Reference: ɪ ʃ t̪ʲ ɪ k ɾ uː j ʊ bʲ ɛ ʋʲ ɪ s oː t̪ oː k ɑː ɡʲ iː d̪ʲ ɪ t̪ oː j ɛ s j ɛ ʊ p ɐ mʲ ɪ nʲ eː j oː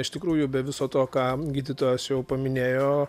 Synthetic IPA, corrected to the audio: ɪ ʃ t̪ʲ ɪ k ɾ uː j ʊ bʲ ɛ ʋʲ ɪ s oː t̪ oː k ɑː ɡʲ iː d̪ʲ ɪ t̪ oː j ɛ s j ɛ ʊ p ɐ mʲ ɪ nʲ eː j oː